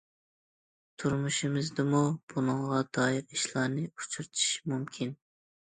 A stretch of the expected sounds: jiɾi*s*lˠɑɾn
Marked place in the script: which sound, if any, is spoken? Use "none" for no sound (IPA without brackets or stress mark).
ʃ